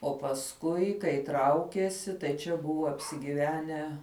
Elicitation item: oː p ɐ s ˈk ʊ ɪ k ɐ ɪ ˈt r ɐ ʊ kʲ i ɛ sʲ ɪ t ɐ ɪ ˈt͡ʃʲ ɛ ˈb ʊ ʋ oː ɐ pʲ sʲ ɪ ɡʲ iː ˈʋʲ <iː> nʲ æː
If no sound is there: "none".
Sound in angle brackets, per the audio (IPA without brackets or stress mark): æː